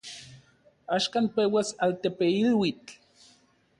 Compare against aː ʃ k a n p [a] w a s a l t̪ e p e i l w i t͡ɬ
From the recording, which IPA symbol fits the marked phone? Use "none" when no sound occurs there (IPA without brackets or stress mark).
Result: e